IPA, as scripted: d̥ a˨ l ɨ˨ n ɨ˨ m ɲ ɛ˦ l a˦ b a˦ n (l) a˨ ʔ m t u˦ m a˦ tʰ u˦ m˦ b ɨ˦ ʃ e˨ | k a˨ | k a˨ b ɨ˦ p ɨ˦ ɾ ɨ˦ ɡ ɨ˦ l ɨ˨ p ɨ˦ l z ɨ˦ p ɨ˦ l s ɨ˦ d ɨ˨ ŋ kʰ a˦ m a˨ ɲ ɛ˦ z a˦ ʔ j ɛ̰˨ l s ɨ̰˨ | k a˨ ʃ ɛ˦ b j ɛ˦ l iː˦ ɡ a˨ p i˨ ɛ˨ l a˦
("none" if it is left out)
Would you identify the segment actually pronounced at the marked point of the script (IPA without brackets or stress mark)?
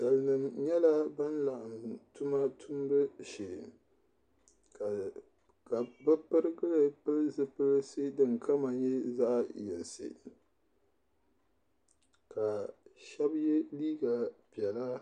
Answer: l